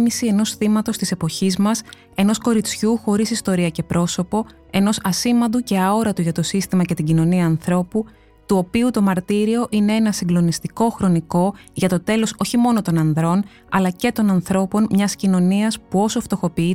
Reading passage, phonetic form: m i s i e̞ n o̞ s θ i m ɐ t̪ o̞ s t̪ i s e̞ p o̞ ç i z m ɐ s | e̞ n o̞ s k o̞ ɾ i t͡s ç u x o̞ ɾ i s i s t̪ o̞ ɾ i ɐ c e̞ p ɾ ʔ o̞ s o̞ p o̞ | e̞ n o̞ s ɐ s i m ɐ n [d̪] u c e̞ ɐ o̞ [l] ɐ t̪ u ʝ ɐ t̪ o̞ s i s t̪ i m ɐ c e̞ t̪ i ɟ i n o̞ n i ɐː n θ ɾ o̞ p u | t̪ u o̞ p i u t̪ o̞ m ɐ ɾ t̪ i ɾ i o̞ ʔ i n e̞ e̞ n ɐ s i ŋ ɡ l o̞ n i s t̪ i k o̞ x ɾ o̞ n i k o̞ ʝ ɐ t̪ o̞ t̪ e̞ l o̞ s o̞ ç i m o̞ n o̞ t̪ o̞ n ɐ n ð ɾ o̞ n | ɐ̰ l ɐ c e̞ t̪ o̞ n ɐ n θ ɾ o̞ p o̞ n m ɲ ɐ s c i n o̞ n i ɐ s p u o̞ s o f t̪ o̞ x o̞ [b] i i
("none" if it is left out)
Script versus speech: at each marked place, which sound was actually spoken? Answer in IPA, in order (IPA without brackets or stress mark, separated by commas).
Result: d̪, ɾ, p